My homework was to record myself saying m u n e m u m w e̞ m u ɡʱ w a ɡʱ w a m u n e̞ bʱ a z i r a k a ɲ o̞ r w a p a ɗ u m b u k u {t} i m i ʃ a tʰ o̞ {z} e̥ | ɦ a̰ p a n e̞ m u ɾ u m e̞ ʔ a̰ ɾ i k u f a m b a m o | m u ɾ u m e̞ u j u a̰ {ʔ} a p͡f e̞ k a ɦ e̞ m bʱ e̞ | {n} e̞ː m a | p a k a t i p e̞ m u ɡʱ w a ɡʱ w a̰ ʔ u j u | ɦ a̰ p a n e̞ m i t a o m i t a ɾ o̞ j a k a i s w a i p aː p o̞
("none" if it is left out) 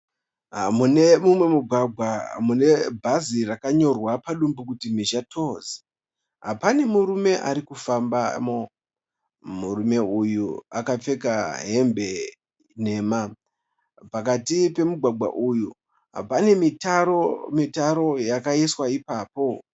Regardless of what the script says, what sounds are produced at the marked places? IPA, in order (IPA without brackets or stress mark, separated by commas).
t, z, k, n